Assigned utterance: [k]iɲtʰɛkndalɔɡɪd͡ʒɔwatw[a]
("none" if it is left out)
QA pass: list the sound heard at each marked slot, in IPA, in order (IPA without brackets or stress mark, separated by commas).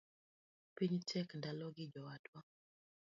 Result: p, a